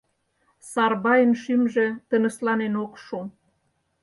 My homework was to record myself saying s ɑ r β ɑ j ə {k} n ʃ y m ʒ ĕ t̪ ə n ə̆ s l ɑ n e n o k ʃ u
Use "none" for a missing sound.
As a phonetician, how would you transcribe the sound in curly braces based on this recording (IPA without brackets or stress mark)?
none